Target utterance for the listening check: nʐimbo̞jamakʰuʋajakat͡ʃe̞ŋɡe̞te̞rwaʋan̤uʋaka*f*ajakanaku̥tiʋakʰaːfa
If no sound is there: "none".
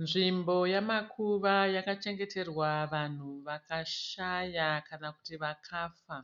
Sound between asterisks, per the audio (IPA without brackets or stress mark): ʃ